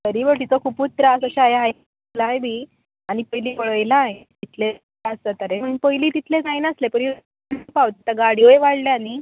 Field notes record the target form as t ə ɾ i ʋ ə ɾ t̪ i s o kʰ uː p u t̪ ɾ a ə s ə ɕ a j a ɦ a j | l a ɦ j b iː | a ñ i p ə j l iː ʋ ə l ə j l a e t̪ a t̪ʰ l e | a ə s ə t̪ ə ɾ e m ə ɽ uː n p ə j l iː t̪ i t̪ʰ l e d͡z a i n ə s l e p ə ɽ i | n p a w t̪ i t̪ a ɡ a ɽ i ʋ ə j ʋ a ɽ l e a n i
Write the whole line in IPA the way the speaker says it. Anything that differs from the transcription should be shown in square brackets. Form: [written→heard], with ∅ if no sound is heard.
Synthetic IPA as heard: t ə ɾ i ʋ ə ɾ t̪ i [s→t͡s] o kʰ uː p u t̪ ɾ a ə s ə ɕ a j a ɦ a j | l a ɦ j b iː | a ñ i p ə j l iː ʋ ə [l→ɭ] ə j l a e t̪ [a→i] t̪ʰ l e | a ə s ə t̪ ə ɾ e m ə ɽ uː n p ə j l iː t̪ i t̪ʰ l e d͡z a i n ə s l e p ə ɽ i | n p a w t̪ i t̪ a ɡ a ɽ i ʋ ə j ʋ a ɽ l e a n i